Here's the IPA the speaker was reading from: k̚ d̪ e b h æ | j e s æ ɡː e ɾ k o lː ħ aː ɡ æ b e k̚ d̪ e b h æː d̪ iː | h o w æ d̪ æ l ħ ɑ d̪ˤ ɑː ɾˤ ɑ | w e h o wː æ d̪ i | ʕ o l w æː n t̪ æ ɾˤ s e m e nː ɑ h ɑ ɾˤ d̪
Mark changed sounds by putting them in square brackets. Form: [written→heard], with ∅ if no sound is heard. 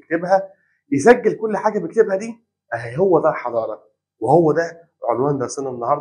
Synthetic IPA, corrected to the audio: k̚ [d̪→t̪] e b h æ | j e s æ ɡː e [ɾ→l] k o lː ħ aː ɡ æ b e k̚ [d̪→t̪] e b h [æː→æ] d̪ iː | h o [w→wː] æ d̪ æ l ħ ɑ d̪ˤ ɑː ɾˤ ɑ | w e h o wː æ d̪ [i→æ] | ʕ o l w æː n [t̪→d̪] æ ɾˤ s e [m→n] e nː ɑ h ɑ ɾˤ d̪

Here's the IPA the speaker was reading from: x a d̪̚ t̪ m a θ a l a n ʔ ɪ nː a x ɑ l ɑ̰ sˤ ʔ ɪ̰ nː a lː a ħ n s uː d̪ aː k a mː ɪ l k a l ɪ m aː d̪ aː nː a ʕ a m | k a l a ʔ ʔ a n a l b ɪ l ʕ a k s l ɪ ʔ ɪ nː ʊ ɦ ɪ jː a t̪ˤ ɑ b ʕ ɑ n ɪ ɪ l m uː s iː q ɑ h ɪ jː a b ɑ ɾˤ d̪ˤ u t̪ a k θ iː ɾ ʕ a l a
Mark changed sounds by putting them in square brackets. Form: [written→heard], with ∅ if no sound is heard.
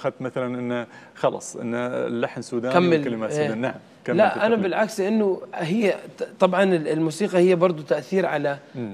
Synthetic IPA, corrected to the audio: x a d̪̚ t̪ m a θ a l a n ʔ ɪ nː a x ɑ l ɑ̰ sˤ ʔ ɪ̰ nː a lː a ħ n s uː d̪ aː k a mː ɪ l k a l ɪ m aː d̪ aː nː a ʕ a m | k a l a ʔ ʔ a n a [l→∅] b ɪ l ʕ a k s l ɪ ʔ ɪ nː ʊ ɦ ɪ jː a t̪ˤ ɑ b ʕ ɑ n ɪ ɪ l m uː s iː q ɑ h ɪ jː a b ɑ ɾˤ d̪ˤ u t̪ a [k→ʔ] θ iː ɾ ʕ a l a

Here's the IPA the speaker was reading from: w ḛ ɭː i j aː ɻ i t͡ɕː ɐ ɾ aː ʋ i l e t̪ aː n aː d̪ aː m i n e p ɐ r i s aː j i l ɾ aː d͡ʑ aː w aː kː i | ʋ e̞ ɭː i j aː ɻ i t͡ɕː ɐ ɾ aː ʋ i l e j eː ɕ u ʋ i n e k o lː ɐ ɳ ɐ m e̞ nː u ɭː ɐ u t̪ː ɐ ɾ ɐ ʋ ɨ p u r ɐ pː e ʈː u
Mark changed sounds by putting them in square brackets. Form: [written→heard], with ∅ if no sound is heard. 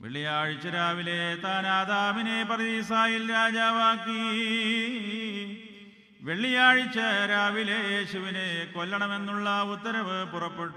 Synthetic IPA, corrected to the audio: [w→ʋ] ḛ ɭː i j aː ɻ i t͡ɕː ɐ ɾ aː ʋ i l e t̪ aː n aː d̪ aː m i n e p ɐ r i s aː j i l ɾ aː d͡ʑ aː [w→ʋ] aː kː i | ʋ e̞ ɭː i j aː ɻ i t͡ɕː ɐ ɾ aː ʋ i l e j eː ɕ u ʋ i n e k o lː ɐ ɳ ɐ m e̞ nː u ɭː ɐ u t̪ː ɐ ɾ ɐ ʋ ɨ p u r ɐ pː e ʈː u

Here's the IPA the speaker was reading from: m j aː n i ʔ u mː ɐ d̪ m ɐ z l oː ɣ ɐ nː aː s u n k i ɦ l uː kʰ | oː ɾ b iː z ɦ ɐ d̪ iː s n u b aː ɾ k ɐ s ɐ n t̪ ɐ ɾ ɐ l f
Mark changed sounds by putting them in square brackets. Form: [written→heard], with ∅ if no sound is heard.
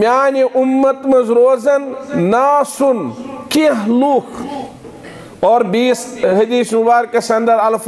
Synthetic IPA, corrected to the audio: m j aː n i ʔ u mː ɐ [d̪→t̪] m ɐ z [l→ɾ] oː [ɣ→z] ɐ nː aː s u n k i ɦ l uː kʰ | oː ɾ b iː [z→s] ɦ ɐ d̪ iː s n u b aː ɾ k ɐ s ɐ n [t̪→d̪] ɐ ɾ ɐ l f

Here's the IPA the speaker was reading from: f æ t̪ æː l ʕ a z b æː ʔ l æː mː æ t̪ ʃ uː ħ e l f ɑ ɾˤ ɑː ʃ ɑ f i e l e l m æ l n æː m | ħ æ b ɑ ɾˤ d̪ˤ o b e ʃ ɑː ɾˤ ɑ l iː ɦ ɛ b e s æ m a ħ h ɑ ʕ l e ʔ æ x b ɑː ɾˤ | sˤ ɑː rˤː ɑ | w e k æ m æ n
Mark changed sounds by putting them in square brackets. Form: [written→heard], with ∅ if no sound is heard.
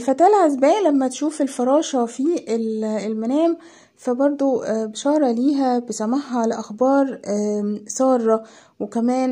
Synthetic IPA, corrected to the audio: f æ t̪ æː l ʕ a z b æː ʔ l [æː→æ] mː æ t̪ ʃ uː [ħ→f] e l f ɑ ɾˤ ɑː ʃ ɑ f i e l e l m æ [l→∅] n æː m | [ħ→f] æ b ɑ ɾˤ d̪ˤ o b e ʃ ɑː ɾˤ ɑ l iː ɦ [ɛ→æ] b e s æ m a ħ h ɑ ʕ l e ʔ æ x b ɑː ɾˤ | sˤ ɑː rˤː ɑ | w e k æ m [æ→æː] n

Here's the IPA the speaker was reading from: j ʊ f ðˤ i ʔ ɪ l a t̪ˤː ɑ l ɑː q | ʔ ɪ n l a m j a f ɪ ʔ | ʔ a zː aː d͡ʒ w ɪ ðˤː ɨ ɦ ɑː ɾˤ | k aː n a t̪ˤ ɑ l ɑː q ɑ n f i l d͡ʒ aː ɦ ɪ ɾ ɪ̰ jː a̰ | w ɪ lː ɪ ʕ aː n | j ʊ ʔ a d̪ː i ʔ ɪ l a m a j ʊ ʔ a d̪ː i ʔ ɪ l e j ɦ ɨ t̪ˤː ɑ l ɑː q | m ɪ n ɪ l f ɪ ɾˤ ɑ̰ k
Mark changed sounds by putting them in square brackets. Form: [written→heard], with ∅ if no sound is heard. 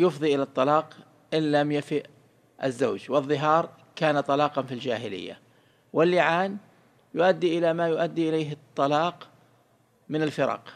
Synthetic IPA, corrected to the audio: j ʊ f ðˤ i ʔ ɪ l a t̪ˤː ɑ l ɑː q | ʔ ɪ n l a m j a f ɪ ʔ | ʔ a zː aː d͡ʒ w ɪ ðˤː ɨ ɦ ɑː ɾˤ | k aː n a t̪ˤ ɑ l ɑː q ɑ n f i l d͡ʒ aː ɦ ɪ [ɾ→l] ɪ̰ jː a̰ | w ɪ lː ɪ ʕ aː n | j ʊ ʔ a d̪ː i ʔ ɪ l a m a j ʊ ʔ a d̪ː i ʔ ɪ l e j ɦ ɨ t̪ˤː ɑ l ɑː q | m ɪ n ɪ l f ɪ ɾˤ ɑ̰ [k→q]

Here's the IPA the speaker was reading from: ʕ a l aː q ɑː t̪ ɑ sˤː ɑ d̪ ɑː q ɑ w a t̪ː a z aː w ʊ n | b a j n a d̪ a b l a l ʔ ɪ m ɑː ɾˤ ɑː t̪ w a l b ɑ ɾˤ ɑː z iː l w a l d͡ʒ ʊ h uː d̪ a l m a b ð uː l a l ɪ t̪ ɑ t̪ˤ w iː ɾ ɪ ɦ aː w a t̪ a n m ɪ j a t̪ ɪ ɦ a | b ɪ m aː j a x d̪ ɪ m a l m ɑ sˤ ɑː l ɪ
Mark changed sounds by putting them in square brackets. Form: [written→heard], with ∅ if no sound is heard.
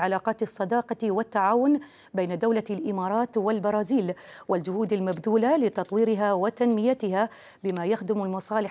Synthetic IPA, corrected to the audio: ʕ a l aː q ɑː t̪ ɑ sˤː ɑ d̪ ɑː q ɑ w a t̪ː a [z→ʕ] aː w ʊ n | b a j n a d̪ a [b→w] l a l ʔ ɪ m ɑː ɾˤ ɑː t̪ w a l b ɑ ɾˤ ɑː z iː l w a l d͡ʒ ʊ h uː d̪ a l m a b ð uː l a l ɪ t̪ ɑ t̪ˤ w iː ɾ ɪ ɦ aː w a t̪ a n m ɪ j a t̪ ɪ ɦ a | b ɪ m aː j a x d̪ ɪ m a l m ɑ sˤ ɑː l ɪ

